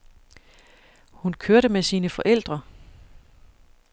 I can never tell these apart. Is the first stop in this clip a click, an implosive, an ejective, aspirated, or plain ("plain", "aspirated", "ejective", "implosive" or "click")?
aspirated